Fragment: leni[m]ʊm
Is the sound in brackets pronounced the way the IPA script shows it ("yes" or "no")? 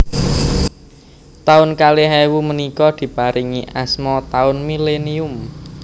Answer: no